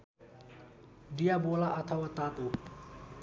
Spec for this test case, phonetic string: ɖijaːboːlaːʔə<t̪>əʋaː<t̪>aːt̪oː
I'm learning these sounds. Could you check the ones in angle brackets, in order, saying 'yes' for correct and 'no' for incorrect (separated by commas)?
no, yes